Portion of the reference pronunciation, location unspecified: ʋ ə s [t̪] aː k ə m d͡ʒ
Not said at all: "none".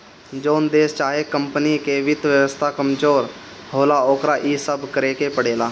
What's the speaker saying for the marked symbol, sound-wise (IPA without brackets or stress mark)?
t̪ʰ